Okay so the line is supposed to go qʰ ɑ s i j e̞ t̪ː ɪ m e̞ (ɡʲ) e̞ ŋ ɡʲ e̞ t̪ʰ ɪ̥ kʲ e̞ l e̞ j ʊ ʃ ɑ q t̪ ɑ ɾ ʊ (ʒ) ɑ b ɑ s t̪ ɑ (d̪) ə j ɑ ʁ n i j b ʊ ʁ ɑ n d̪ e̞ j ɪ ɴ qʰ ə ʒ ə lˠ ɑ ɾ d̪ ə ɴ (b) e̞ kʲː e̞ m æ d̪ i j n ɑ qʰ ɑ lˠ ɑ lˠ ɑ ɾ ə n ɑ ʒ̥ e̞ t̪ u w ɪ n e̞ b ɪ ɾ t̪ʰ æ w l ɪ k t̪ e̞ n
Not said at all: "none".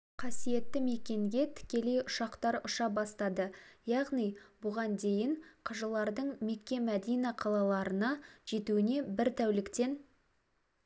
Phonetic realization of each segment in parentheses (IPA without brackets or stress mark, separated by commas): kʲ, ʃ, d̪, m